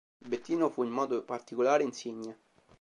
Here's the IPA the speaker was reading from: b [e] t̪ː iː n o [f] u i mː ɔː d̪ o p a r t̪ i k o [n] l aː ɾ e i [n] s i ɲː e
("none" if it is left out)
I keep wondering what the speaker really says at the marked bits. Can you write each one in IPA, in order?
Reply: e, f, none, n

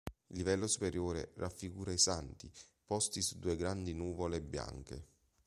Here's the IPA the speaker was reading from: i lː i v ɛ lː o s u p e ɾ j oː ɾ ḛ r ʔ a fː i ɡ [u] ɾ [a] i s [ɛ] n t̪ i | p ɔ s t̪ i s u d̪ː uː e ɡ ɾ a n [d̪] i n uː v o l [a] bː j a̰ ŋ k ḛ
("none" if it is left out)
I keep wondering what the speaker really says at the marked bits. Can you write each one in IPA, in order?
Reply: uː, a, a, d̪, e

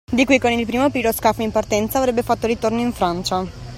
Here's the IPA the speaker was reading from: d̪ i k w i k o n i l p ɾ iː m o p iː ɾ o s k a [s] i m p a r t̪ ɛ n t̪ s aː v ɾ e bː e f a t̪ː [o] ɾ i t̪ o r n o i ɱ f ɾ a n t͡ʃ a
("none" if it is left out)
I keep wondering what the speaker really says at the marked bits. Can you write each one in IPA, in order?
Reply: f, o

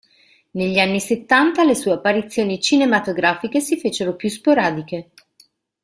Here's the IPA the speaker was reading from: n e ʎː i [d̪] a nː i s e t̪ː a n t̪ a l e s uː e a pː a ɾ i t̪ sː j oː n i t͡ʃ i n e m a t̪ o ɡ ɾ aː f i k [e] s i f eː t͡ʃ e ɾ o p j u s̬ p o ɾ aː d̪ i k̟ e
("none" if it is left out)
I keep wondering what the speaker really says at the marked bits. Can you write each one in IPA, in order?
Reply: none, e

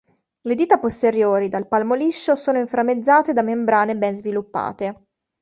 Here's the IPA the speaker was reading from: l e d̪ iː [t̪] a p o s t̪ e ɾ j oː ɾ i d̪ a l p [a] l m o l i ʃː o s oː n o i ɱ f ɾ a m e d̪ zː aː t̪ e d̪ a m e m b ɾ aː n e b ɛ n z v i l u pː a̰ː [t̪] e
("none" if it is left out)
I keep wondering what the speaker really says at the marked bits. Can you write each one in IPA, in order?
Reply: t̪, a, t̪

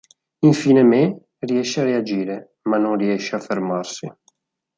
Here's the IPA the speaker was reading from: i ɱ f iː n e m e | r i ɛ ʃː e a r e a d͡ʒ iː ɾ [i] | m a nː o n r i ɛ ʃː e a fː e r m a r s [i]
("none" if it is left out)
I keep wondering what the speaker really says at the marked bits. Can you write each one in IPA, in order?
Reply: e, i

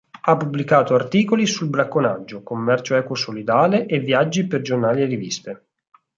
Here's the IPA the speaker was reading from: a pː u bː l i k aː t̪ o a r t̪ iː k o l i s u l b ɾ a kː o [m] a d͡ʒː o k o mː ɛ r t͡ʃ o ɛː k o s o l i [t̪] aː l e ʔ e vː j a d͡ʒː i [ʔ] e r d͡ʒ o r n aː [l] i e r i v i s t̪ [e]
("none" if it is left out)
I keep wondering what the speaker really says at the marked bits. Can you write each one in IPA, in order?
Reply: n, d̪, p, l, e

